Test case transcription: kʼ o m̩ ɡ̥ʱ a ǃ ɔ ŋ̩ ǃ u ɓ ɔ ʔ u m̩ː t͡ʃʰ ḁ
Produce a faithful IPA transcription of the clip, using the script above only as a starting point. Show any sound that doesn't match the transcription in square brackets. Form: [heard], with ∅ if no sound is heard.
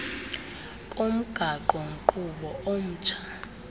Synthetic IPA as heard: kʼ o m̩ ɡ̥ʱ a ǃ ɔ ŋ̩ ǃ u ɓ ɔ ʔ [o] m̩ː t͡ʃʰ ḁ